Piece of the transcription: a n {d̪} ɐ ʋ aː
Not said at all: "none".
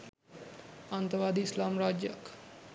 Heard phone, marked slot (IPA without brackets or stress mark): t̪